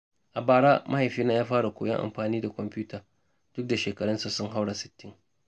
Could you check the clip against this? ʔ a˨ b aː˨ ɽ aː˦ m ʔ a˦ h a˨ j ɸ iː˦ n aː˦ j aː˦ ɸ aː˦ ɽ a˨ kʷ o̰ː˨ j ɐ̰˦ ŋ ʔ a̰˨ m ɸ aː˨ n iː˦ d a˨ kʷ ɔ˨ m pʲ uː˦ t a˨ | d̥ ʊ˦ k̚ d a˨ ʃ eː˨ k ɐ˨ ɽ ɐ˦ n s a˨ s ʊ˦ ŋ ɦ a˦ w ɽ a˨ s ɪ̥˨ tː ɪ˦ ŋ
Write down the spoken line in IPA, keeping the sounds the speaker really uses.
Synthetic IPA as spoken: ʔ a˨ b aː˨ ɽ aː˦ m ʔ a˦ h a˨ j ɸ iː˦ n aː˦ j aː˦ ɸ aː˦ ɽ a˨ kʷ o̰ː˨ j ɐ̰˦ ŋ ʔ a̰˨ m ɸ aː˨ n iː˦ d a˨ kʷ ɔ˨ m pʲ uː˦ t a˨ | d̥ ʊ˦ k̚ d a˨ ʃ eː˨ k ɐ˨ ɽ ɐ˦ n s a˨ s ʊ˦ ŋ ɦ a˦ w ɽ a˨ s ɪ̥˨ tː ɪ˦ ŋ